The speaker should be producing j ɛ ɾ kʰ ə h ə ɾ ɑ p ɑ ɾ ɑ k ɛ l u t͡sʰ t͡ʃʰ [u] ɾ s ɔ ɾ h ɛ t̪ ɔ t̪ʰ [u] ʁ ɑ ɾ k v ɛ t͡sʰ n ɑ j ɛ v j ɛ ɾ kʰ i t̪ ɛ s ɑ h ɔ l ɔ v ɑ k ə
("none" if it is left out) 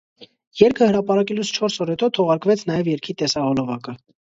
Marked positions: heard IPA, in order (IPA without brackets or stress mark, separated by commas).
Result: ɔ, ɔ